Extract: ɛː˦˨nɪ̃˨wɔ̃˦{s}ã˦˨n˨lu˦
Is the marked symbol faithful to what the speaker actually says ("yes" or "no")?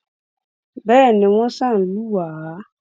yes